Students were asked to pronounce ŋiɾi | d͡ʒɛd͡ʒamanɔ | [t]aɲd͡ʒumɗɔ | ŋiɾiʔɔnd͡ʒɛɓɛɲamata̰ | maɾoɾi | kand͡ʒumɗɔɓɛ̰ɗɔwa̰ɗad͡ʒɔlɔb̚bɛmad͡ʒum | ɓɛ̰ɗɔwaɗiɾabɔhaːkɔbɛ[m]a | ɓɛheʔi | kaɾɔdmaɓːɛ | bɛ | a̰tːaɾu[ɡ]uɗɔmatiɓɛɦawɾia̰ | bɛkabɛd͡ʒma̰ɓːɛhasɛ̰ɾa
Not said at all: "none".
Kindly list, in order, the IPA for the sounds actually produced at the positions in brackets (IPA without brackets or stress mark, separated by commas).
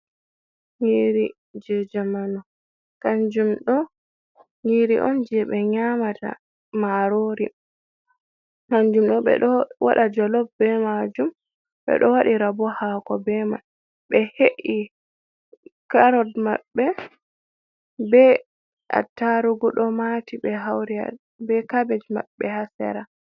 k, m, ɡ